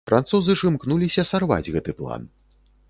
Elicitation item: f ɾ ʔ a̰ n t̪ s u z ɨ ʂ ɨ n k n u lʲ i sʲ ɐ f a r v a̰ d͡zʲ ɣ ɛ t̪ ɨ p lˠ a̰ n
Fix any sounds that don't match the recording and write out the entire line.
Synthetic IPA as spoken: f ɾ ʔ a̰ n t̪ s u z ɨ ʂ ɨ m k n u lʲ i sʲ ɐ s a r v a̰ d͡zʲ ɣ ɛ t̪ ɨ p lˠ a̰ n